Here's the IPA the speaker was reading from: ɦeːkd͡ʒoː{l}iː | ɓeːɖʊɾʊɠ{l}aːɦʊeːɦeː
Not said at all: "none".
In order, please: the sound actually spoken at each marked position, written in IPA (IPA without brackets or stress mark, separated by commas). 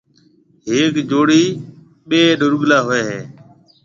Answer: ɽ, l